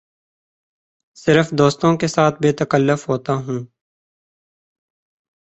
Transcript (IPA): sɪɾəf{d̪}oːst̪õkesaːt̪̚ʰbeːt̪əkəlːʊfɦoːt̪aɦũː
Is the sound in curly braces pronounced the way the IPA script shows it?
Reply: yes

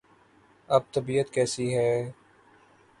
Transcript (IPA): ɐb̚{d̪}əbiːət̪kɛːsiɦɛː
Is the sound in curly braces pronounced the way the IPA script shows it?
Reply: no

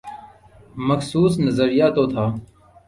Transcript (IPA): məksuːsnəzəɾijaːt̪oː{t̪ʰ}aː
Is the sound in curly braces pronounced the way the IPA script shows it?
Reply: yes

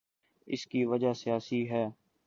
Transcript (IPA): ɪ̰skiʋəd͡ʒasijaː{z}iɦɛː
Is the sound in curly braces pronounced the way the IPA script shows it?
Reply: no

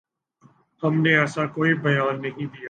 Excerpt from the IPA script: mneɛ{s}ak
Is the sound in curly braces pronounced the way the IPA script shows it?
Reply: yes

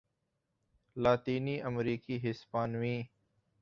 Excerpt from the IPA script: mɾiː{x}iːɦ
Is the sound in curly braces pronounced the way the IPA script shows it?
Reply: no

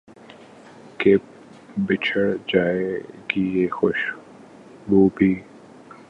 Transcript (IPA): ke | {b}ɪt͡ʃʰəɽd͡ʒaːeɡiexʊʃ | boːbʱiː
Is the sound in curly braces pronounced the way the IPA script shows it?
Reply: yes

